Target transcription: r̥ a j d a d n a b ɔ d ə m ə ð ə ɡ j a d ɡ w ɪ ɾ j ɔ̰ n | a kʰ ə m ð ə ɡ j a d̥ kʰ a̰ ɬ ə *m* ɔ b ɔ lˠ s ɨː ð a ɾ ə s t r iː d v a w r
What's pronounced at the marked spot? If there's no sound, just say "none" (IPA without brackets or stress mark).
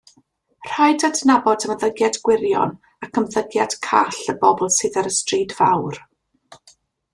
b